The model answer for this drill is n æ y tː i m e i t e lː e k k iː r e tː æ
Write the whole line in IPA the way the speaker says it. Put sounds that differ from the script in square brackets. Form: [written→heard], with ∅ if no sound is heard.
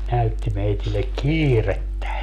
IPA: n æ y tː i m e i t [e→i] lː e k k iː r e tː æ